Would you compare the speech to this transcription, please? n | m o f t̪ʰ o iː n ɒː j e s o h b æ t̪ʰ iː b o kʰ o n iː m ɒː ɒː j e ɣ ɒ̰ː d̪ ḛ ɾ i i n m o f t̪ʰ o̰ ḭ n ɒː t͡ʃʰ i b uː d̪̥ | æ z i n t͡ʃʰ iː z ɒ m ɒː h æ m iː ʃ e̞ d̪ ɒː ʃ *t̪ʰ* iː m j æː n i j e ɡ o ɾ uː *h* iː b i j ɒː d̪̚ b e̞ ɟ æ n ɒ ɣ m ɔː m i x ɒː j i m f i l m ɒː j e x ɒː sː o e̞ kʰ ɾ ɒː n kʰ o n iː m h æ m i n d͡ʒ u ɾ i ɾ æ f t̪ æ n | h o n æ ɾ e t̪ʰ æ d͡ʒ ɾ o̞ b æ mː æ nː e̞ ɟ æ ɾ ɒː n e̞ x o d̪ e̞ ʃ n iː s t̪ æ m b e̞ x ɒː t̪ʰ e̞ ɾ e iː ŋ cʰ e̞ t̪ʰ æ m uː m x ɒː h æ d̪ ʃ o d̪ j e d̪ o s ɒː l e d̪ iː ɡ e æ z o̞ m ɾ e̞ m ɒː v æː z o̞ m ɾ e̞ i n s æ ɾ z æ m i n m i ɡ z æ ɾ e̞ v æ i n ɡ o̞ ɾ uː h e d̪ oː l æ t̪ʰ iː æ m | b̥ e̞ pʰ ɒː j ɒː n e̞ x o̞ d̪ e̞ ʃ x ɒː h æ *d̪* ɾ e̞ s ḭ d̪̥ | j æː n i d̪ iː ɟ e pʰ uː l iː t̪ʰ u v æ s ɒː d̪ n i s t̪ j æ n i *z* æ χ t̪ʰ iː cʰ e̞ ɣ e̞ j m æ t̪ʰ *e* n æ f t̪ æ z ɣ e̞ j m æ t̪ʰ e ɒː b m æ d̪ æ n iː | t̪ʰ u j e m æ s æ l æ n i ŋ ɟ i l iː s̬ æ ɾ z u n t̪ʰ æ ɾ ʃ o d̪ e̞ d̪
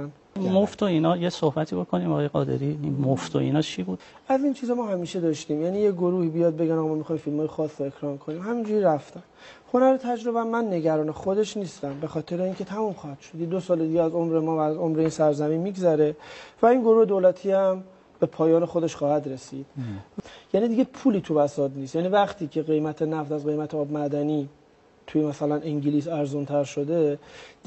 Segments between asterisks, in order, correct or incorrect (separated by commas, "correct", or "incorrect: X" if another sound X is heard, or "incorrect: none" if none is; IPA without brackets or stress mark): incorrect: t̪, correct, correct, incorrect: v, correct